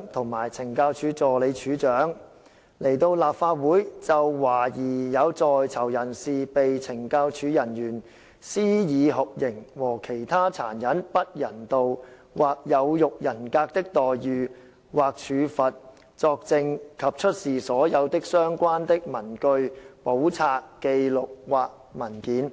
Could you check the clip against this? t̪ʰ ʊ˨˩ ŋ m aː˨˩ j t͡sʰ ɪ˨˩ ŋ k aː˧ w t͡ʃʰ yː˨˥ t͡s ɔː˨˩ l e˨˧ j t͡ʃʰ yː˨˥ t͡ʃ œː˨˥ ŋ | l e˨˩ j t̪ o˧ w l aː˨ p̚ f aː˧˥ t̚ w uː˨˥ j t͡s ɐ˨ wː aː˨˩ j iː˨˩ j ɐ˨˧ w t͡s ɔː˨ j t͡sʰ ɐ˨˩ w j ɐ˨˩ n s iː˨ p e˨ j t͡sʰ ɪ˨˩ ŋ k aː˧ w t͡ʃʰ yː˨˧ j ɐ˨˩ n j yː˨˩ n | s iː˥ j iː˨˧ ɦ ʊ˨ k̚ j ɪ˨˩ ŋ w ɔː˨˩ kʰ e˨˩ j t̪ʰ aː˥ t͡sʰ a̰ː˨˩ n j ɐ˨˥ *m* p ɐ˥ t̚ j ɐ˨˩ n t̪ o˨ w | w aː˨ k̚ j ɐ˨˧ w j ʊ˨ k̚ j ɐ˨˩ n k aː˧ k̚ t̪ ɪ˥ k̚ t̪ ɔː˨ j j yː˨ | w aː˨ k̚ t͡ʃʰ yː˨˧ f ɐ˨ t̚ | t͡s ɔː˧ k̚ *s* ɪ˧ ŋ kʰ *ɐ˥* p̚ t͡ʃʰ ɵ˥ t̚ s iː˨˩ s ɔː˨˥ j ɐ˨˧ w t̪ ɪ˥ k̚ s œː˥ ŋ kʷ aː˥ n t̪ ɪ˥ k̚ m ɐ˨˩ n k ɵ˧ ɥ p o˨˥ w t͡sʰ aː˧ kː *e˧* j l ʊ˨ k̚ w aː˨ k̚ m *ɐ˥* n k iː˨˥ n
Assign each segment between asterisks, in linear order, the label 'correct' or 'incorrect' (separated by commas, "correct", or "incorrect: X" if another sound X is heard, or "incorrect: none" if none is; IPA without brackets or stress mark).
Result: incorrect: n, incorrect: t͡s, incorrect: ɐ˨, correct, incorrect: ɐ˨˩